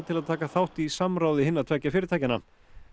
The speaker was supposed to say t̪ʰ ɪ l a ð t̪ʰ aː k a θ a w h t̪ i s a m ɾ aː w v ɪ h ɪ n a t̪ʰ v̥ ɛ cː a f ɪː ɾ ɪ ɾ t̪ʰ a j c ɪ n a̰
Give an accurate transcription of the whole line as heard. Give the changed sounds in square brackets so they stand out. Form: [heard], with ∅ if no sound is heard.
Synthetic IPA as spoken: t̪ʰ ɪ l a ð t̪ʰ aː k a θ a w h t̪ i s a m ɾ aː w [ð] ɪ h ɪ [nː] a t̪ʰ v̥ ɛ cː a f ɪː ɾ ɪ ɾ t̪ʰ a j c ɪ n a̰